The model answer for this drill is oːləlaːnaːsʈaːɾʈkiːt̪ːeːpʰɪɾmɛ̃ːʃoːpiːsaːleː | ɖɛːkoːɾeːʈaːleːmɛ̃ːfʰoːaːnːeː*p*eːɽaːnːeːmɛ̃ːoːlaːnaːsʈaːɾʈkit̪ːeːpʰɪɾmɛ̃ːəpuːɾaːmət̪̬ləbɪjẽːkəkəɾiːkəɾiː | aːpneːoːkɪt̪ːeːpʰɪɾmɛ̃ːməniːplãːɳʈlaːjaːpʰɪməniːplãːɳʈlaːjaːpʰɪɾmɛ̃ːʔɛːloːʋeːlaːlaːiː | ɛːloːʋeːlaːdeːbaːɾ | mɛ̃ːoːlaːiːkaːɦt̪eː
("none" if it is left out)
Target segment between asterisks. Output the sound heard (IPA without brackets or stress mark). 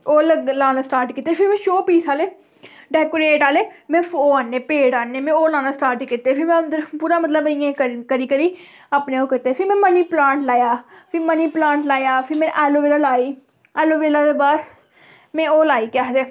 p